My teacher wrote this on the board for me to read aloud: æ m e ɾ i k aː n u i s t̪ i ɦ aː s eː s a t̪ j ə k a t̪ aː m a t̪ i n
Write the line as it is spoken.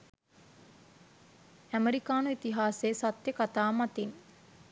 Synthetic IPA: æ m e ɾ i k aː n u i t̪ i ɦ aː s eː s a t̪ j ə k a t̪ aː m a t̪ i n